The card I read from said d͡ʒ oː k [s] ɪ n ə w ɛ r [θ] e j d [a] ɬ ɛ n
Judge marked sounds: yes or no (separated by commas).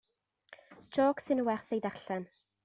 yes, yes, yes